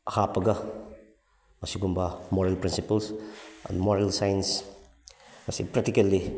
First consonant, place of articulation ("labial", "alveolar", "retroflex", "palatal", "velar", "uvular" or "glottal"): glottal